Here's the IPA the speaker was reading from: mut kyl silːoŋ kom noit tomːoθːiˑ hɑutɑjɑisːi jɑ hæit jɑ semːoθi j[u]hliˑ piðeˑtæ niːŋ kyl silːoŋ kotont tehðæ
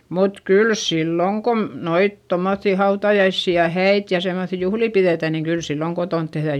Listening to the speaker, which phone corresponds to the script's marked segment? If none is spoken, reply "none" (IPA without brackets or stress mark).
u